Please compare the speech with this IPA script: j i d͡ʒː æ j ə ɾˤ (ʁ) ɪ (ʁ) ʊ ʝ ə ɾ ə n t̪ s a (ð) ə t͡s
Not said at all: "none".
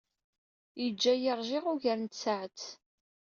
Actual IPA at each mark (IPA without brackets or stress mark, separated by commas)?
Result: ʒ, ʁ, ʕ